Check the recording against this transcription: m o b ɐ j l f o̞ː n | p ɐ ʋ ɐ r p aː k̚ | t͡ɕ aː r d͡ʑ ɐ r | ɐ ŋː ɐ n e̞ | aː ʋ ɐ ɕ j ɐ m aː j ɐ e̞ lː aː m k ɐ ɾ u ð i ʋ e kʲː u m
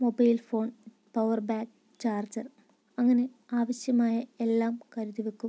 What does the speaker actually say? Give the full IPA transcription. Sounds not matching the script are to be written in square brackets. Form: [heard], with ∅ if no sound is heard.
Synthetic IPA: m o b ɐ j l f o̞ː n | p ɐ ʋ ɐ r [b] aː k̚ | t͡ɕ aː r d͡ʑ ɐ r | ɐ ŋː ɐ n e̞ | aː ʋ ɐ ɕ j ɐ m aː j ɐ e̞ lː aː m k ɐ ɾ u ð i ʋ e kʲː u m

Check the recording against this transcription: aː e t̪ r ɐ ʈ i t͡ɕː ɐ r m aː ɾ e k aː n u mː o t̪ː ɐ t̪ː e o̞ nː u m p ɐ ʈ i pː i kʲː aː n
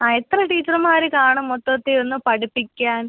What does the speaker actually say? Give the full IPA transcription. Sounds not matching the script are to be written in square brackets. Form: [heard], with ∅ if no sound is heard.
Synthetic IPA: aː e t̪ r ɐ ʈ [iː] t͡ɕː ɐ r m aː ɾ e k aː [ɳ] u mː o t̪ː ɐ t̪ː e o̞ nː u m p ɐ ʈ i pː i kʲː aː n

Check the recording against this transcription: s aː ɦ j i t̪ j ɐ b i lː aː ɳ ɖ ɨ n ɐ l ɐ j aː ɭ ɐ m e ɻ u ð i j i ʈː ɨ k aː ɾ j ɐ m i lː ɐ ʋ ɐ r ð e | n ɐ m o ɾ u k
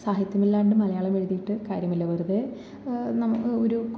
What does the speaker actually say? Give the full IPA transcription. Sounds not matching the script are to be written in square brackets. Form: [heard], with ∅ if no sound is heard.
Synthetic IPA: s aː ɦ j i t̪ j ɐ [m] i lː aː ɳ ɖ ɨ [m] ɐ l ɐ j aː ɭ ɐ m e ɻ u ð i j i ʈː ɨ k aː ɾ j ɐ m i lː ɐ ʋ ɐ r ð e | n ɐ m o ɾ u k

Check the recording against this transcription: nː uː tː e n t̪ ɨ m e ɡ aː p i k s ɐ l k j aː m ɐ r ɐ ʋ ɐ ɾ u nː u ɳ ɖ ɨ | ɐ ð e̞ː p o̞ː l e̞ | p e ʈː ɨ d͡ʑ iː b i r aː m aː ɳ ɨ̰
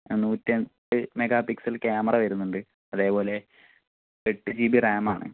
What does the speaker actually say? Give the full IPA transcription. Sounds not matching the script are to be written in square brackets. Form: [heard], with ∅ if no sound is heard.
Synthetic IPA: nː uː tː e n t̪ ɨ m e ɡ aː p i k s ɐ l k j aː m ɐ r ɐ ʋ ɐ ɾ u nː u ɳ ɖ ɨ | ɐ ð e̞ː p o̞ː l e̞ | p e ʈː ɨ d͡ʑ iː b i r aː m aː ɳ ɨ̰

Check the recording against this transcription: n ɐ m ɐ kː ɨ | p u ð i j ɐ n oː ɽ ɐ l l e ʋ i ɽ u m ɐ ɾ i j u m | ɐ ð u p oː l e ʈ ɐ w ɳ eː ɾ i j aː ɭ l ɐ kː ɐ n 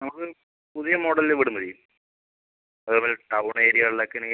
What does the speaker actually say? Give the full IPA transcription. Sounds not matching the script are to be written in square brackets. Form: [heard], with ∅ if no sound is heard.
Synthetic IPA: n ɐ m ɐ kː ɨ | p u ð i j ɐ [m] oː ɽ ɐ l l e ʋ i ɽ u m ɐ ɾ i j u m | ɐ ð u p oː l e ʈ ɐ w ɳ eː ɾ i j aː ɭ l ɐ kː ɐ n

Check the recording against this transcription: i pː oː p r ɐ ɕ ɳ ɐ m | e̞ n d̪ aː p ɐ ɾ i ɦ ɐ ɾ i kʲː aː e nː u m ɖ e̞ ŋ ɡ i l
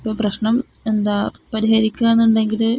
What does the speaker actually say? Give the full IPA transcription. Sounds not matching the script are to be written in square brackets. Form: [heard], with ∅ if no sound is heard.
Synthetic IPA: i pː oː p r ɐ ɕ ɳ ɐ m | e̞ n d̪ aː p ɐ ɾ i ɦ ɐ ɾ i kʲː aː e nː u [ɳ] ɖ e̞ ŋ ɡ i l

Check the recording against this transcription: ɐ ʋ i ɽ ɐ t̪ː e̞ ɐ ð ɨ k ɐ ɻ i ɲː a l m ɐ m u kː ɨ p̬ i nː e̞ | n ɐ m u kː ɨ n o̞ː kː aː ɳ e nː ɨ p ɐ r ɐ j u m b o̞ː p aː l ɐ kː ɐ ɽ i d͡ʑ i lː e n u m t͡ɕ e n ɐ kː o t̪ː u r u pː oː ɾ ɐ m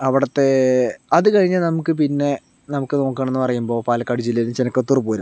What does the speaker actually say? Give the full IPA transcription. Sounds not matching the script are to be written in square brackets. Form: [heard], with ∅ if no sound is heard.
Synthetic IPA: ɐ ʋ i ɽ ɐ t̪ː e̞ ɐ ð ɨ k ɐ ɻ i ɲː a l [n] ɐ m u kː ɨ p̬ i nː e̞ | n ɐ m u kː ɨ n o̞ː kː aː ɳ e nː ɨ p ɐ r ɐ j u m b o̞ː p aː l ɐ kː ɐ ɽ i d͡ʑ i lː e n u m t͡ɕ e n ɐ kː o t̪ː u r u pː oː ɾ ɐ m

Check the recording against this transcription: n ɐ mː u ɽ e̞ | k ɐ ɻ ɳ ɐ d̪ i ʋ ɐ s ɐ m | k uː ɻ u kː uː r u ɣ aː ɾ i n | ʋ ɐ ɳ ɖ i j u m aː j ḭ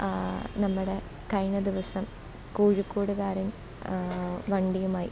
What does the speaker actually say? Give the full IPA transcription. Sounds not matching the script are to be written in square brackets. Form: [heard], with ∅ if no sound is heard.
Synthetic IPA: n ɐ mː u ɽ e̞ | k ɐ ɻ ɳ ɐ d̪ i ʋ ɐ s ɐ m | k uː ɻ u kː uː [ɽ] u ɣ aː ɾ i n | ʋ ɐ ɳ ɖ i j u m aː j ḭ

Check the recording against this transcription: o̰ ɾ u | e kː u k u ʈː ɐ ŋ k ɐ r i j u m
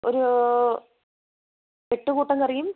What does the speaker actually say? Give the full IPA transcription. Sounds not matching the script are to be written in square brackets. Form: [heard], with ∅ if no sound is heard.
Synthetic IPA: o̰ ɾ u | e [ʈː] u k [uː] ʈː ɐ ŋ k ɐ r i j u m

